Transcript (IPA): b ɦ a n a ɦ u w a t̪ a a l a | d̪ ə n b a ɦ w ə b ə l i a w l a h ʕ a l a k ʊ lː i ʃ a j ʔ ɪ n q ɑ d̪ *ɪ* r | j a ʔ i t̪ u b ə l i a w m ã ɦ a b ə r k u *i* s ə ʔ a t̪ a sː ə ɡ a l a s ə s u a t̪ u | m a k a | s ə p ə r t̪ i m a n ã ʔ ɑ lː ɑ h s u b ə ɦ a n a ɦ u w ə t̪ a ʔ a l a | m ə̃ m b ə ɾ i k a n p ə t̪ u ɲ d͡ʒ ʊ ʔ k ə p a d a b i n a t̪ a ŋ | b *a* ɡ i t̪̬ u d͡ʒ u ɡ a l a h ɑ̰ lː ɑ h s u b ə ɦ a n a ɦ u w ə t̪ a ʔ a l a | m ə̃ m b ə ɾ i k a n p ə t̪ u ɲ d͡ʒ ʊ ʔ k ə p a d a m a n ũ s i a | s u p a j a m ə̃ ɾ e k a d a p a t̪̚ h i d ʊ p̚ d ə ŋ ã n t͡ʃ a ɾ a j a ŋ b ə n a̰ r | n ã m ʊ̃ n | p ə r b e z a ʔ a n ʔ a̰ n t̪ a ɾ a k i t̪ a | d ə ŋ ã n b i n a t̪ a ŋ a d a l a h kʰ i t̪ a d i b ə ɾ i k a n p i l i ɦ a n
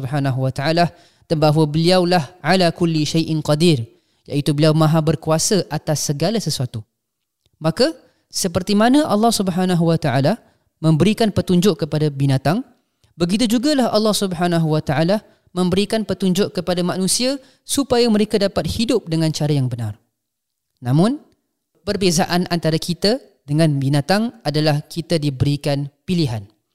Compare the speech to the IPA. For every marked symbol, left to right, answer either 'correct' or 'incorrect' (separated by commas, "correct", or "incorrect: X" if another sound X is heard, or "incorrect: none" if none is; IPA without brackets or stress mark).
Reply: incorrect: i, incorrect: a, incorrect: ə